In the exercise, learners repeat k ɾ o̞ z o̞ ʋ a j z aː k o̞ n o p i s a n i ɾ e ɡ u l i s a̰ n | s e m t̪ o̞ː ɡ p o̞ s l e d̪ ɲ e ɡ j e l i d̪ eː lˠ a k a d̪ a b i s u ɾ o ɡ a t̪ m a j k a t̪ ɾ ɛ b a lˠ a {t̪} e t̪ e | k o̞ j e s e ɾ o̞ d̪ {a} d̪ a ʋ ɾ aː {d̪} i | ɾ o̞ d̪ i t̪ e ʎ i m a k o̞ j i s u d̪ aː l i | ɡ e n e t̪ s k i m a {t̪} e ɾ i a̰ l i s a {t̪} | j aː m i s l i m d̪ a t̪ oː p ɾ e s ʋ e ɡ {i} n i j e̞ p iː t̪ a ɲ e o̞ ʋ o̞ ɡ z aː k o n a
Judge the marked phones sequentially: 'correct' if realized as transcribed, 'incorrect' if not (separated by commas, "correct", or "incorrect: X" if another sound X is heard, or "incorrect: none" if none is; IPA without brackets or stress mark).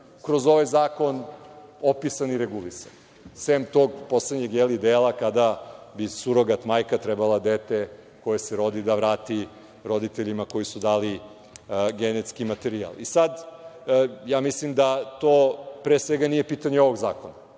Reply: incorrect: d̪, incorrect: i, incorrect: t̪, correct, incorrect: d̪, incorrect: a